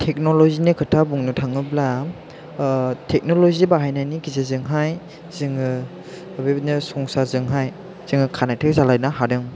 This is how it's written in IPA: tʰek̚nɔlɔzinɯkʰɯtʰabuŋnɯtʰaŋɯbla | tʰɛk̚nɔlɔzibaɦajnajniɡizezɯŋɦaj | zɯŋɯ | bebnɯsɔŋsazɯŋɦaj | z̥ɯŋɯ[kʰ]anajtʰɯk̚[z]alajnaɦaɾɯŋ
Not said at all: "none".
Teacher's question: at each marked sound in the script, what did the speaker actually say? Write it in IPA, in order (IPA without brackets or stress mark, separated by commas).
kʰ, z